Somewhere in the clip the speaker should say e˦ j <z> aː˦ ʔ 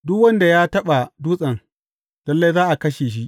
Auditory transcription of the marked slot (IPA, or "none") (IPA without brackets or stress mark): z